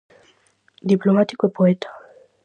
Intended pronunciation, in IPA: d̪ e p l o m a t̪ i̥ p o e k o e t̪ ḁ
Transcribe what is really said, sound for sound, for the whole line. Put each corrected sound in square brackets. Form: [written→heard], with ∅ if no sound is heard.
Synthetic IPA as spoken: d̪ [e→i] p l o m a t̪ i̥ [p→k] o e [k→p] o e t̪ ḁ